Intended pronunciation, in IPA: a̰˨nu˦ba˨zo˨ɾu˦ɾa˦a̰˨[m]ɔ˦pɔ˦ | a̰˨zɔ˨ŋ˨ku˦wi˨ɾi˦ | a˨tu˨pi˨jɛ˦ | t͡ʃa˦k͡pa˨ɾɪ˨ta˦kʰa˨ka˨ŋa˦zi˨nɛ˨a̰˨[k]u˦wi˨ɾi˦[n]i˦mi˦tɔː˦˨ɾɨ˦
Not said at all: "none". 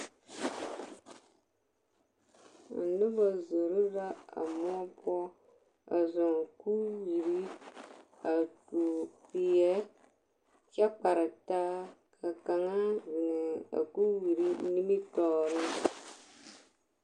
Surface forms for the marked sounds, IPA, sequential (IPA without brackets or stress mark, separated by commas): m, k, n